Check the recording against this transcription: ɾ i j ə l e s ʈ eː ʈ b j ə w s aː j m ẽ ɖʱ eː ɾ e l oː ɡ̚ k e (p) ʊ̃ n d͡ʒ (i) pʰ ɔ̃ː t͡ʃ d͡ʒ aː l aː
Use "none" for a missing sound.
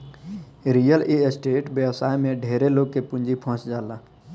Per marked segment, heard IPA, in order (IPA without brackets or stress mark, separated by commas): p, i